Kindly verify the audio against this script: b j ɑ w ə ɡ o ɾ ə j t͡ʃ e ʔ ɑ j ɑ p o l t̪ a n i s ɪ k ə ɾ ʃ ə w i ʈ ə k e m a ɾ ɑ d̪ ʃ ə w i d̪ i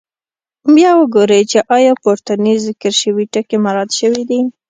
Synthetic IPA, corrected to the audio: b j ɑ w ə ɡ o ɾ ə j t͡ʃ e ʔ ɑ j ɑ p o ɾ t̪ a n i z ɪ k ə ɾ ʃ ə w i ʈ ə k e m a ɾ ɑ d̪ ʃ ə w i d̪ i

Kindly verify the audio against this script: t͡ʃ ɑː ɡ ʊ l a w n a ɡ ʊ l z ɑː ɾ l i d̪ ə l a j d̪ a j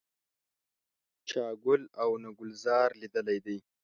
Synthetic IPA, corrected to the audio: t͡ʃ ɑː ɡ ʊ l a w n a ɡ ʊ l z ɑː ɾ l i d̪ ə l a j d̪ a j

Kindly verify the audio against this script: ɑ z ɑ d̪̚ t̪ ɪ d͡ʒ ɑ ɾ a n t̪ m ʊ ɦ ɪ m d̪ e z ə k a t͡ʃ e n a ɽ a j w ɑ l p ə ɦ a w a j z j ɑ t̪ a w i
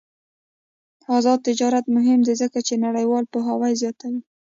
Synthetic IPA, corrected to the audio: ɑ z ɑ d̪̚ t̪ ɪ d͡ʒ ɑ ɾ a t̪ m ʊ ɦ ɪ m d̪ e z ə k a t͡ʃ e n a ɽ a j w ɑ l p ə ɦ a w a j z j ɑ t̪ a w i

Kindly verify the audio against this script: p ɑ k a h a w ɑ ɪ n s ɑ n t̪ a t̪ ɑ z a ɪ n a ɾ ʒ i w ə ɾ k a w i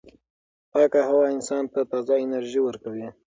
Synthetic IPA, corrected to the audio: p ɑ k a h a w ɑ ɪ n s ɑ n t̪ a t̪ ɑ z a ɪ n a ɾ ʒ i w ə ɾ k a w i

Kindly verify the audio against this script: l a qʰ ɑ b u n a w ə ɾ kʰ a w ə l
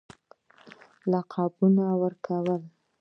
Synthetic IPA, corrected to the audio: l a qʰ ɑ b u n a w ə ɾ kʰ a w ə l

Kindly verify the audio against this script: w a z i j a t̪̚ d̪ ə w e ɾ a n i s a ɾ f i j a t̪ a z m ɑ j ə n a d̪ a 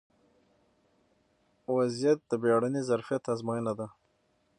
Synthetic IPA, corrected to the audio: w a z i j a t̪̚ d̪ ə b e ɽ a n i z a ɾ f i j a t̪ a z m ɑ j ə n a d̪ a

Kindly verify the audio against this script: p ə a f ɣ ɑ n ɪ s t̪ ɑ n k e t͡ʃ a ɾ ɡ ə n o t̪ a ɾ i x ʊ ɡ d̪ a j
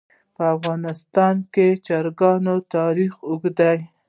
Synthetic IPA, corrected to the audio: p ə a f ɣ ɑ n ɪ s t̪ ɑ n k e t͡ʃ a ɾ ɡ ɑ n o t̪ ɑ ɾ i x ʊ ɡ d̪ a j

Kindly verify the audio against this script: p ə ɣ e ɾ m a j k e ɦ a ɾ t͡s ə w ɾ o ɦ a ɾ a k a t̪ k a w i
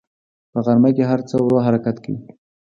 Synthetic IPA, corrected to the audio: p ə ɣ a ɾ m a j k e ɦ a ɾ t͡s ə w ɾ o ɦ a ɾ a k a t̪ k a w i

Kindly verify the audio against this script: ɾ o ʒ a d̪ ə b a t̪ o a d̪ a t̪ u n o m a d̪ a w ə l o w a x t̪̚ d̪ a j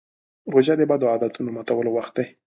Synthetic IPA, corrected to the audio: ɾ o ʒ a d̪ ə b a d̪ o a d̪ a t̪ u n o m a t̪ a w ə l o w a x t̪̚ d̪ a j

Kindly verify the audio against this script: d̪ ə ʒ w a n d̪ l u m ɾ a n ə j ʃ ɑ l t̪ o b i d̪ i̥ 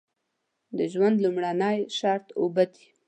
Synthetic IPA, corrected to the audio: d̪ ə ʒ w a n d̪ l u m ɽ a n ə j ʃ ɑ ɾ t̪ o b a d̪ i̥

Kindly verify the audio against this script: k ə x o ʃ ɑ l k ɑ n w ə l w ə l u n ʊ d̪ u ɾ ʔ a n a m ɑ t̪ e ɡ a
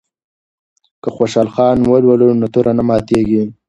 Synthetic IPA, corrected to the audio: k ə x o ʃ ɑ l x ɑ n w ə l w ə l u n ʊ t̪ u ɾ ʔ a n a m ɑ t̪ e ɡ i

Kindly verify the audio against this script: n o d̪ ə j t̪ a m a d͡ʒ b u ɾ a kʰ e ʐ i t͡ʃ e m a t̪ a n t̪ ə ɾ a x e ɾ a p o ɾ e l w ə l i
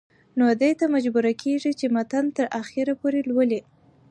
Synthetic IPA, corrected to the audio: n o d̪ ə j t̪ a m a d͡ʒ b u ɾ a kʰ e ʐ i t͡ʃ e m a t̪ a n t̪ ə ɾ a x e ɾ a p o ɾ e l w ə l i

